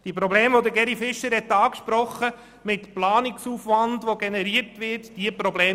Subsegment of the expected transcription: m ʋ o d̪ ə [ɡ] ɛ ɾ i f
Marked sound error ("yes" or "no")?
no